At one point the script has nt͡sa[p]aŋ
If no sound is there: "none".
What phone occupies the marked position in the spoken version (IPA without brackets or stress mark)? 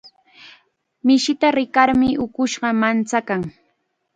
k